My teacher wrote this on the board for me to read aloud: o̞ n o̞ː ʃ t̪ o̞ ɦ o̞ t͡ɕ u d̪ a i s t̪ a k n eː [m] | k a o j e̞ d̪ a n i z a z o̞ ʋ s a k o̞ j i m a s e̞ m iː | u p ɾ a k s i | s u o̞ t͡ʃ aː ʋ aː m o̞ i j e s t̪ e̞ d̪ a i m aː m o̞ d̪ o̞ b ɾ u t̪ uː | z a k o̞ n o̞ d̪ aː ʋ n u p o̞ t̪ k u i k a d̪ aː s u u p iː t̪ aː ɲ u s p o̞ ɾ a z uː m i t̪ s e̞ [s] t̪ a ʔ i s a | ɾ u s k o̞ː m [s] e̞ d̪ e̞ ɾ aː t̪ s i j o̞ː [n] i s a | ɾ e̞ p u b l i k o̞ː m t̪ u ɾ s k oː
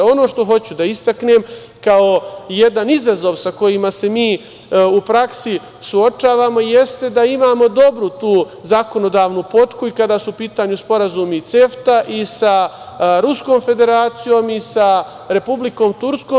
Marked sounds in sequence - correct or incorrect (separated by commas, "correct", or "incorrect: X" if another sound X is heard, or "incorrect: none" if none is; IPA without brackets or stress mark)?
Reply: correct, incorrect: f, incorrect: f, incorrect: m